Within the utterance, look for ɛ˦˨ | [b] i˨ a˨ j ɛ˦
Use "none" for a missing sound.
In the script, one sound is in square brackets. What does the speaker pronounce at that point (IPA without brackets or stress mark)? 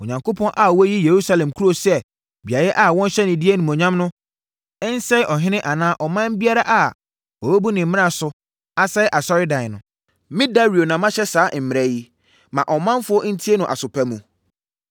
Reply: b